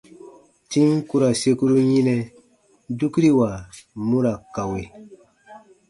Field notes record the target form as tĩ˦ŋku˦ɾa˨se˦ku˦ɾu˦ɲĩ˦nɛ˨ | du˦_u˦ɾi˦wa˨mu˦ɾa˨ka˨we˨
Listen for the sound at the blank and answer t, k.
k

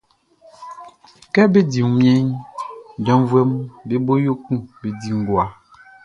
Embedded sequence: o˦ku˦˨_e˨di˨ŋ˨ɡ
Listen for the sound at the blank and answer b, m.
b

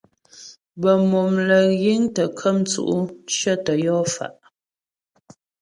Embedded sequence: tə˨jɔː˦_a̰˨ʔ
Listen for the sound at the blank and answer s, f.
f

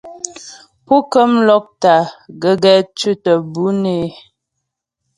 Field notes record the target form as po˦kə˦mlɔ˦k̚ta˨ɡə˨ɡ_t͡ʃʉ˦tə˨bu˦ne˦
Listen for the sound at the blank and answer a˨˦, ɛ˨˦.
ɛ˨˦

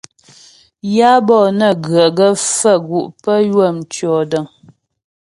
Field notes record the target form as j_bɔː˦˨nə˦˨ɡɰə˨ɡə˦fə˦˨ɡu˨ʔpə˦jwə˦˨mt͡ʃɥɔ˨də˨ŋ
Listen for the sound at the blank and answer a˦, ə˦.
a˦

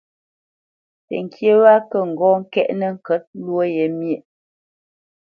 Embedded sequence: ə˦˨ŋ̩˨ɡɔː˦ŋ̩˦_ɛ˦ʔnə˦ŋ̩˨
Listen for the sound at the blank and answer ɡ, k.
k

